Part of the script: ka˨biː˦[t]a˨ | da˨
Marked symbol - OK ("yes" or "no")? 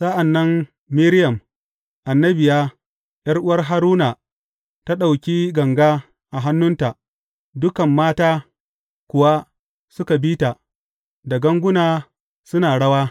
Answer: yes